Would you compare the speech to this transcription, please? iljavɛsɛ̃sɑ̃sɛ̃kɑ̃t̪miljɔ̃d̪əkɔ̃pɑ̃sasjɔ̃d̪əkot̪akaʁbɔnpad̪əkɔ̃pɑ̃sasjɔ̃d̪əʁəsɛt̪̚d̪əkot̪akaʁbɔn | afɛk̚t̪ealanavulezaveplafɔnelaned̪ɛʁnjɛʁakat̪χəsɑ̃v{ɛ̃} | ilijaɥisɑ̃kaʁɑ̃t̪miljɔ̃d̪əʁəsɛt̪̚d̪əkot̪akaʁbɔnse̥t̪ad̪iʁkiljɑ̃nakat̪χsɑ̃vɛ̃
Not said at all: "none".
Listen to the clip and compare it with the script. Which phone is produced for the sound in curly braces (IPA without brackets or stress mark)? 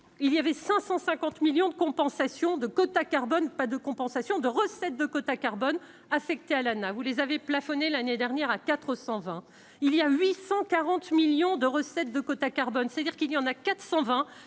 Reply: ɛ̃